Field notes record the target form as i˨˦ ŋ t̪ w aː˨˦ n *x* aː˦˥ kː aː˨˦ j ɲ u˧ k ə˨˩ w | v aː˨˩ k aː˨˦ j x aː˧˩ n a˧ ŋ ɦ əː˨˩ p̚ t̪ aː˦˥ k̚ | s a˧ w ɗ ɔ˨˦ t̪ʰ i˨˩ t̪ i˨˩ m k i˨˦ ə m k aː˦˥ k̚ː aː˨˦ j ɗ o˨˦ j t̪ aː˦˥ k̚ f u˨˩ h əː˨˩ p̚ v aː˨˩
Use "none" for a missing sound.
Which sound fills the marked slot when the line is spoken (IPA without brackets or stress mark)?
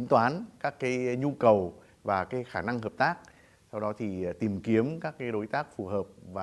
k